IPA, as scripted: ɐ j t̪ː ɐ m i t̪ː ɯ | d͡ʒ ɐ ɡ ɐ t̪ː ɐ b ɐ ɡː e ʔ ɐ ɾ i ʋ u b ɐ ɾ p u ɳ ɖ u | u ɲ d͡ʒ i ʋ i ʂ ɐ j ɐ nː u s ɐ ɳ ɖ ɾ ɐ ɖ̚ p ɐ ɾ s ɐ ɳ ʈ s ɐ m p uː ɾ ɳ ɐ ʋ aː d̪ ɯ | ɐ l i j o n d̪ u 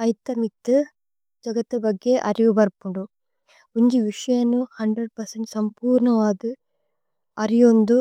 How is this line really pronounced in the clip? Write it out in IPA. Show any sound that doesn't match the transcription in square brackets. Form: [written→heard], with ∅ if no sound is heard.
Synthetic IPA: ɐ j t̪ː ɐ m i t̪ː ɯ | d͡ʒ ɐ ɡ ɐ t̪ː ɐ b ɐ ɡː e ʔ ɐ ɾ i ʋ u b ɐ ɾ p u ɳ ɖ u | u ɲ d͡ʒ i ʋ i ʂ ɐ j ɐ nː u [s→h] ɐ ɳ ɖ ɾ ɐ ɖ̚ p ɐ ɾ s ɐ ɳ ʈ s ɐ m p uː ɾ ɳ ɐ ʋ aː d̪ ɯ | ɐ [l→ɾ] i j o n d̪ u